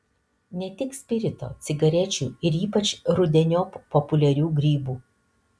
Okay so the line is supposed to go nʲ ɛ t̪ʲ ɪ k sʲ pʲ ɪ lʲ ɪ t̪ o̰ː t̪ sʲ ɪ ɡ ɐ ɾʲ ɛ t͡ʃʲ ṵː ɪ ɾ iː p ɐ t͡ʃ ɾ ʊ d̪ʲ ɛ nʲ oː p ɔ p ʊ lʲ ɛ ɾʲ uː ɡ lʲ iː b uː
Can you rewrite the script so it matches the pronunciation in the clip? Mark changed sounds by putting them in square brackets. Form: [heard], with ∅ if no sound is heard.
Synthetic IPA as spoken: nʲ ɛ t̪ʲ ɪ k sʲ pʲ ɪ [ɾʲ] ɪ t̪ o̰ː t̪ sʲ ɪ ɡ ɐ ɾʲ ɛ t͡ʃʲ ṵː ɪ ɾ iː p ɐ t͡ʃ ɾ ʊ d̪ʲ ɛ nʲ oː p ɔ p ʊ lʲ ɛ ɾʲ uː ɡ [ɾʲ] iː b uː